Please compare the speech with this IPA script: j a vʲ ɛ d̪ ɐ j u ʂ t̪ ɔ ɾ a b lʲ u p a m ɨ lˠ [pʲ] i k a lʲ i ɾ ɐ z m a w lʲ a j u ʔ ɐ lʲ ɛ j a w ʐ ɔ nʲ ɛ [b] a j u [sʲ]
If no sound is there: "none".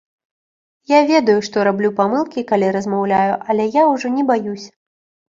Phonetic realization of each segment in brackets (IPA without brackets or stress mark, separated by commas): kʲ, b, sʲ